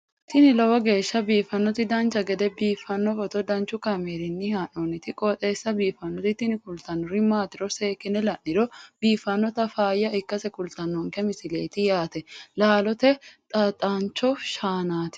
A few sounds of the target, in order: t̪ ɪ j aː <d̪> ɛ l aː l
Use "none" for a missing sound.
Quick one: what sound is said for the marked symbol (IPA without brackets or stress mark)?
t̪